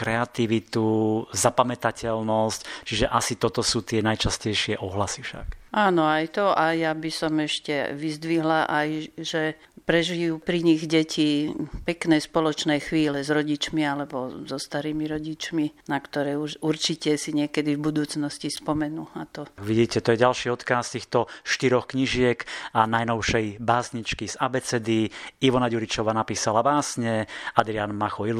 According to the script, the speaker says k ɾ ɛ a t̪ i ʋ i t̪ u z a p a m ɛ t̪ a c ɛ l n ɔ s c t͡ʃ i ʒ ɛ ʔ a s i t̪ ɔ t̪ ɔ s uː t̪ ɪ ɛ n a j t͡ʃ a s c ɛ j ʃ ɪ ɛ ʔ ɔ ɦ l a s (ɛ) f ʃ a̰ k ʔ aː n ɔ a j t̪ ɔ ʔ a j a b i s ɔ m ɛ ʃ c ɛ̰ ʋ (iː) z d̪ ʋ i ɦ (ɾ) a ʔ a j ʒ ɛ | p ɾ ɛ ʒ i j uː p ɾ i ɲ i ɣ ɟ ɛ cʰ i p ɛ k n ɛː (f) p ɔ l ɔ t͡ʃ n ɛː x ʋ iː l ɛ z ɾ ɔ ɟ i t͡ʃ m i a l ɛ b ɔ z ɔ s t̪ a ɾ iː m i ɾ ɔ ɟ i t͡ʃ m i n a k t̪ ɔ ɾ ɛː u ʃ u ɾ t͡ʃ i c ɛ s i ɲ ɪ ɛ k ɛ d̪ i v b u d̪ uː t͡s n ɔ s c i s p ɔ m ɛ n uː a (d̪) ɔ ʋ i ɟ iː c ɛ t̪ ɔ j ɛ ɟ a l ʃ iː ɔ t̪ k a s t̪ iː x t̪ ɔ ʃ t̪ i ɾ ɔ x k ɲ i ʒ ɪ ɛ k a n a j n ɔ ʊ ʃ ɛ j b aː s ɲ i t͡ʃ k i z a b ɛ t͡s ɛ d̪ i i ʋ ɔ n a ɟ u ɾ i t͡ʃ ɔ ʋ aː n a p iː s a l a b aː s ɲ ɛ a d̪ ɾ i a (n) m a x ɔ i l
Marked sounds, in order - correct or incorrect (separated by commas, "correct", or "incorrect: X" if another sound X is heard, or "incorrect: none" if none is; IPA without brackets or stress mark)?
incorrect: i, incorrect: i, incorrect: l, incorrect: s, incorrect: t̪, correct